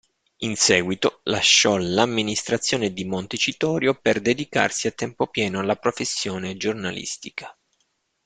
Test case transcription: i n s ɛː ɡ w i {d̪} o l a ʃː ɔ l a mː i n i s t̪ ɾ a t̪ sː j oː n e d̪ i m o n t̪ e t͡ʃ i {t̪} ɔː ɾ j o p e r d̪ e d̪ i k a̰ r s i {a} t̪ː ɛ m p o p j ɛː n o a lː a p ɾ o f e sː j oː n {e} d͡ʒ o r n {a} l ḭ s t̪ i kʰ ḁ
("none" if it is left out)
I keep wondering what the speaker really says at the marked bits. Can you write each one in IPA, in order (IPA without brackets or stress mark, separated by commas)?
t̪, t̪, a, e, a